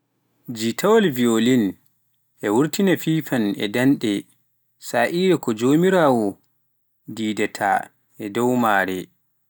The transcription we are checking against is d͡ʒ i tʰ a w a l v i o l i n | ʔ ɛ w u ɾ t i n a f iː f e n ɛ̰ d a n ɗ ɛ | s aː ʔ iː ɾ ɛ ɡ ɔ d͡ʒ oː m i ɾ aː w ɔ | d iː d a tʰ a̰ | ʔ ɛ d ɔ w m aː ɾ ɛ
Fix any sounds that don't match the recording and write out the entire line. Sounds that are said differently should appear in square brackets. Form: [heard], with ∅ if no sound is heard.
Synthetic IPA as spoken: d͡ʒ i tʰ a w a l v i o l i n | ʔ ɛ w u ɾ t i n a f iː f [a] n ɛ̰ d a n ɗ ɛ | s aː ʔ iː ɾ ɛ [k] ɔ d͡ʒ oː m i ɾ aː w ɔ | d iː d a tʰ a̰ | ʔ ɛ d ɔ w m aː ɾ ɛ